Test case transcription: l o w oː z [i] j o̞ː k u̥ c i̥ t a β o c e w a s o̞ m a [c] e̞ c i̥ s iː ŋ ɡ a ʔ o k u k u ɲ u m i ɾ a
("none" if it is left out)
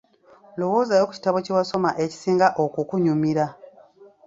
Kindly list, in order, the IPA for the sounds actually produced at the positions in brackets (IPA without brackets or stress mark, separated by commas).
a, ʔ